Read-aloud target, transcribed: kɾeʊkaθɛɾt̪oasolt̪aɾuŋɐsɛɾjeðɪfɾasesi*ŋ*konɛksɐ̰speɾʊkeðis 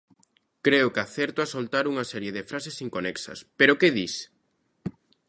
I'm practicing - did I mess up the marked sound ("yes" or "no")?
no